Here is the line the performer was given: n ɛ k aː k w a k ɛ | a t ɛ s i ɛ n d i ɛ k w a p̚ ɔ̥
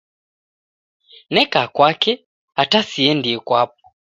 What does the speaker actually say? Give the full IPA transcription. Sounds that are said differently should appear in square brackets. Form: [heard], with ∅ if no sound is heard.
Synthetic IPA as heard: n ɛ k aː k w a k ɛ | a t [a] s i ɛ n d i ɛ k w a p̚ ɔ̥